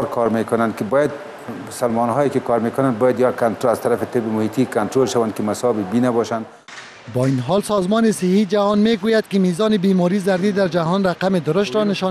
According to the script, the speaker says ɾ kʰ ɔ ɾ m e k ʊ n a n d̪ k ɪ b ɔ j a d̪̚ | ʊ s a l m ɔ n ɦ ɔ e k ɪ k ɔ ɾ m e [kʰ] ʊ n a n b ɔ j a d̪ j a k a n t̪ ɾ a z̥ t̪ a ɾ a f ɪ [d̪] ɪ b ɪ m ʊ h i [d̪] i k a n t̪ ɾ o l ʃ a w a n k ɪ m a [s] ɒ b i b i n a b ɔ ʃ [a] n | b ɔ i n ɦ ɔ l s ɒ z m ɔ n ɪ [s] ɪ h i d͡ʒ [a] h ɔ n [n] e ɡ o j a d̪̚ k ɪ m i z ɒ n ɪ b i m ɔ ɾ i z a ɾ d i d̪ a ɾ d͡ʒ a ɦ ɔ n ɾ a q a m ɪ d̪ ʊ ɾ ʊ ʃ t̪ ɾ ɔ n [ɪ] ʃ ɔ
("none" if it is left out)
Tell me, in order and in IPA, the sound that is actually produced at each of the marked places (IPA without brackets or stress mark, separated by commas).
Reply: k, t̪, t̪, s, a, s, a, m, ɪ